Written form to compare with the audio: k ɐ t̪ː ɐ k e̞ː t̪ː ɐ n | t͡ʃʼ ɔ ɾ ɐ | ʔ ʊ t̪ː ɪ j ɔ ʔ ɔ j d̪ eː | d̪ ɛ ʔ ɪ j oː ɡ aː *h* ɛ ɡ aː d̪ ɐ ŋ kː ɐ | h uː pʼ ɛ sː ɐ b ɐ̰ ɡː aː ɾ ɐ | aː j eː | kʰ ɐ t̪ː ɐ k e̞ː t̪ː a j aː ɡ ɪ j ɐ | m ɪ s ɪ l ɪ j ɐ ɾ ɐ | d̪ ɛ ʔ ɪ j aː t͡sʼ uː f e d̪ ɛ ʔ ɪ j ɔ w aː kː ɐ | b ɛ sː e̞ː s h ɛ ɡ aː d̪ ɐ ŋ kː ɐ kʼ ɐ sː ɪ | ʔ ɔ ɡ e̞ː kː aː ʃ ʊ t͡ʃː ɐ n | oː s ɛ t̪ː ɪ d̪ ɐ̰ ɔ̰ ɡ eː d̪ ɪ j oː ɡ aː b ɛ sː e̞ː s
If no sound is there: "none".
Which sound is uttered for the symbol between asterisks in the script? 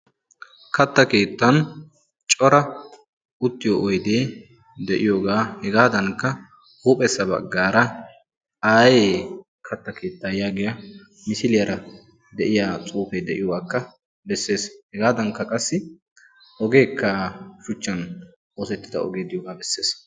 h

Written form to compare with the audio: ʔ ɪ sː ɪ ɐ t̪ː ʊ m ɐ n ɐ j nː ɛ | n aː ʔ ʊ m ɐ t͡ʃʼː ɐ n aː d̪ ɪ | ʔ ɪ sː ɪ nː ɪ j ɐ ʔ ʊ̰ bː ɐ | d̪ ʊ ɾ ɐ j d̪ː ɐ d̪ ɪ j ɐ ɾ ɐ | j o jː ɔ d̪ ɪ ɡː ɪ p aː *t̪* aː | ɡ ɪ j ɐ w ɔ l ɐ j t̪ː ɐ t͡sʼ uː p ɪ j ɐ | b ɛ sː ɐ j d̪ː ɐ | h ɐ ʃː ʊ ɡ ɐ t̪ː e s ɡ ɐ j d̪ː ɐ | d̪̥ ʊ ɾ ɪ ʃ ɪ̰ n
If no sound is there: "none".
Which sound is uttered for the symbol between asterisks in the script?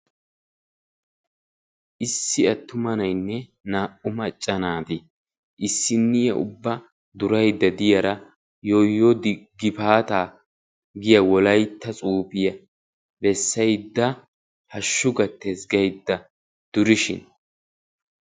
t̪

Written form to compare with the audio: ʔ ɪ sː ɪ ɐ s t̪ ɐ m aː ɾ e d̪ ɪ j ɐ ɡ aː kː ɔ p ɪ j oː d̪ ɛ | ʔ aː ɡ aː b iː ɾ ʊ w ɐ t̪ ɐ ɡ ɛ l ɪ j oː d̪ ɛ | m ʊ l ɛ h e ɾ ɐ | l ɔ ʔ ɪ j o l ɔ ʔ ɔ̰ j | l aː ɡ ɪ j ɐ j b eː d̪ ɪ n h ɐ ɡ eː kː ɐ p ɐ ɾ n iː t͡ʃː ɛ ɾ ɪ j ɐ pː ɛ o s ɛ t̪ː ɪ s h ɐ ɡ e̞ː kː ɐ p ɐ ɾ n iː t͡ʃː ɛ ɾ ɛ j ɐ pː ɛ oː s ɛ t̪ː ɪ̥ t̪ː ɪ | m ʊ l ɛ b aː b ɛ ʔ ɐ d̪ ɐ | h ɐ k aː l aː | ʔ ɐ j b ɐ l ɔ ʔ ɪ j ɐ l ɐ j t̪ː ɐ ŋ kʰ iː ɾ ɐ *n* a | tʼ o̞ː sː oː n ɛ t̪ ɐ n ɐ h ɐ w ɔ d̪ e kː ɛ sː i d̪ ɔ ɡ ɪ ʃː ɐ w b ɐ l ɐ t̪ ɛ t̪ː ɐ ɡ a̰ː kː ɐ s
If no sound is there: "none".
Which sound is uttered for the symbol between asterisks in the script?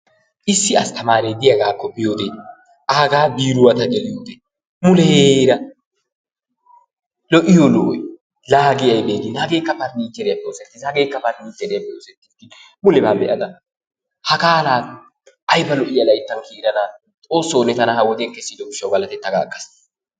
n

